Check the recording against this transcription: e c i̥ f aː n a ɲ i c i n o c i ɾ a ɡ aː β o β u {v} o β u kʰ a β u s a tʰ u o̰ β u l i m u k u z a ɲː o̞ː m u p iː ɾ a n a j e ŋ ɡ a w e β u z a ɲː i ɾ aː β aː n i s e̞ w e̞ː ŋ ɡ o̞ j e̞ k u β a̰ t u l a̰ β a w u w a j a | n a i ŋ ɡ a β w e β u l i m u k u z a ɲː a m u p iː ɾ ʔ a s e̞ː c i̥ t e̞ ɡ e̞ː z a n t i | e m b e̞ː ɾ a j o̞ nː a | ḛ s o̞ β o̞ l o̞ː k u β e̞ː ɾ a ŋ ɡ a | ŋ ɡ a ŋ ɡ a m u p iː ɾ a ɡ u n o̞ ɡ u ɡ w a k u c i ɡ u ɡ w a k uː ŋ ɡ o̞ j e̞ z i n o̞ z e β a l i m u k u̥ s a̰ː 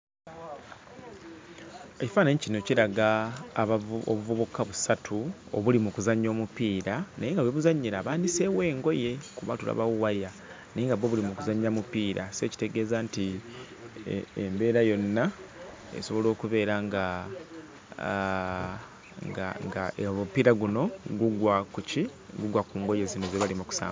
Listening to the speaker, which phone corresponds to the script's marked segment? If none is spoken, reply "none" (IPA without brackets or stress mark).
v